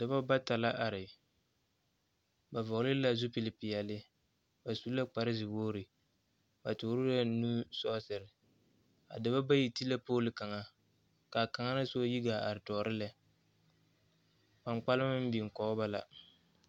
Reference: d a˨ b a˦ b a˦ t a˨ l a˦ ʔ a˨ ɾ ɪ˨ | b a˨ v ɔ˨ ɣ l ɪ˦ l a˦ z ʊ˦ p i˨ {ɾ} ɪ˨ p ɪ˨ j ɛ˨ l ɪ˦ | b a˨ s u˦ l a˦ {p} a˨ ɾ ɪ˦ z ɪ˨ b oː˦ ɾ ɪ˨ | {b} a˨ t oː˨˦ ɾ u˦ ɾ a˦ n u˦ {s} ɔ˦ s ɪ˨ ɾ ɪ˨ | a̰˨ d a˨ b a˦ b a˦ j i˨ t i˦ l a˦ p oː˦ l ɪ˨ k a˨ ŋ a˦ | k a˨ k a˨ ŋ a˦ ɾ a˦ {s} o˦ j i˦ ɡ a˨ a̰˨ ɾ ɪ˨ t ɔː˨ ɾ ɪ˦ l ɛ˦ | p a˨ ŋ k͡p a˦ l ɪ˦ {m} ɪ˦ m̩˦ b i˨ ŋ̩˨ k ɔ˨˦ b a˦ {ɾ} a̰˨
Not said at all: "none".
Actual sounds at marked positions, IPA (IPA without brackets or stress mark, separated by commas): l, k͡p, b, s, s, m, l